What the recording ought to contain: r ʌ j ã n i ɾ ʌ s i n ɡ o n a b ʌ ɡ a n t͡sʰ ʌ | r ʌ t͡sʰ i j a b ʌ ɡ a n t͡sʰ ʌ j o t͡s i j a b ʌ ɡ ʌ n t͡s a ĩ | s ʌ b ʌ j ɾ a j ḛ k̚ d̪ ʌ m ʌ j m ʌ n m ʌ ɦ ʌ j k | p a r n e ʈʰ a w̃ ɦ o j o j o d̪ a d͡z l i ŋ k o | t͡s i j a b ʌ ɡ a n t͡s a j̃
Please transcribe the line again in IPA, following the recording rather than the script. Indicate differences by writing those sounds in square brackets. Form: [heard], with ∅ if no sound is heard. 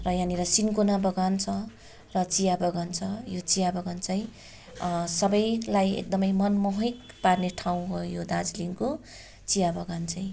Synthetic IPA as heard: r ʌ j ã n i ɾ ʌ s i n [k] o n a b ʌ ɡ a n t͡sʰ ʌ | r ʌ [t͡s] i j a b ʌ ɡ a n t͡sʰ ʌ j o t͡s i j a b ʌ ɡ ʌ n t͡s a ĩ | s ʌ b ʌ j [l] a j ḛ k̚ d̪ ʌ m ʌ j m ʌ n m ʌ ɦ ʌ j k | p a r n e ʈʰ a w̃ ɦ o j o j o d̪ a d͡z l i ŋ k o | t͡s i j a b ʌ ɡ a n t͡s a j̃